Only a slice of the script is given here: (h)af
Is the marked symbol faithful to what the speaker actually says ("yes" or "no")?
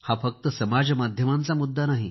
yes